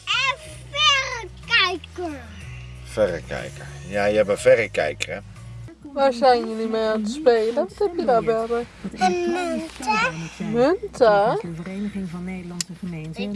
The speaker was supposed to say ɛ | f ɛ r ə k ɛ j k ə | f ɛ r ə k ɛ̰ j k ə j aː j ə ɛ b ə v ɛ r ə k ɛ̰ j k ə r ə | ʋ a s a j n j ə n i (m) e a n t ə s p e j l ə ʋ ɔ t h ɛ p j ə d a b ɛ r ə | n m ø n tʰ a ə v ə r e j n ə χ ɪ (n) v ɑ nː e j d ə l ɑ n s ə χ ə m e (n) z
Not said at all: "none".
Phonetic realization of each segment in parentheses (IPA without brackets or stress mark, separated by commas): m, ŋ, n